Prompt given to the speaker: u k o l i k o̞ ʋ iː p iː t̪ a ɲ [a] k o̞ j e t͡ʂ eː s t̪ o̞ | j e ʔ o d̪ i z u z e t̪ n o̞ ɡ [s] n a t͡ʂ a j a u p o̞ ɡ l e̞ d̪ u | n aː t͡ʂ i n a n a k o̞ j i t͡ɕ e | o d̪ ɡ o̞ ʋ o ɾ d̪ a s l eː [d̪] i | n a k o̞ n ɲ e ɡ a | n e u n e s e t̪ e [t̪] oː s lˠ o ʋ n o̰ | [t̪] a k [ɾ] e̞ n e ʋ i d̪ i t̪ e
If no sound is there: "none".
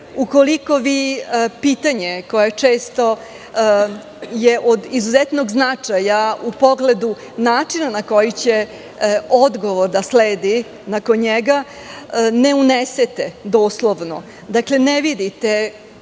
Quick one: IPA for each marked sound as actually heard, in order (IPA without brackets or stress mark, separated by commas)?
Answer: e, z, d̪, d̪, d̪, l